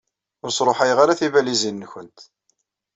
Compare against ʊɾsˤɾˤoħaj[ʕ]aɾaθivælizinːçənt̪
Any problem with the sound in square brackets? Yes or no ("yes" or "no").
yes